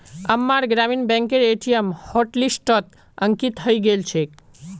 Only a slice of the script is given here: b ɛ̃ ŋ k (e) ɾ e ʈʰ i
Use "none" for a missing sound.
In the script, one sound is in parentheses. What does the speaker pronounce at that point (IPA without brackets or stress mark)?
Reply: e